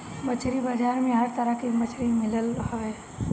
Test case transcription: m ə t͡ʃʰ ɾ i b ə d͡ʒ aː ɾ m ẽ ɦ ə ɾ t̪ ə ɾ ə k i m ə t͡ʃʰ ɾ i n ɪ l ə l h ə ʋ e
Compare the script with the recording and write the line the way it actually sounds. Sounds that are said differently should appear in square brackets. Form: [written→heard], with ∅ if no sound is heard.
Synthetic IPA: m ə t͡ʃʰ ɾ i b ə d͡ʒ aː ɾ m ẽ ɦ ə ɾ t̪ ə ɾ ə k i m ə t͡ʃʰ ɾ i [n→m] ɪ l ə l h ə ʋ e